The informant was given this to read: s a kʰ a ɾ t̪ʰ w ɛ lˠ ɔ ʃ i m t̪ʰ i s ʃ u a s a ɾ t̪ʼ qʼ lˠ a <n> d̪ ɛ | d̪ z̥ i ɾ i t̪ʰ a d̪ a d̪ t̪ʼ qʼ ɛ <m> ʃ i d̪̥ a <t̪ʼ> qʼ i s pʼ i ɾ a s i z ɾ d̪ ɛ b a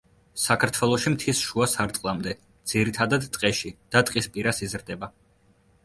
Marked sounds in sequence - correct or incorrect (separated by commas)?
incorrect, incorrect, correct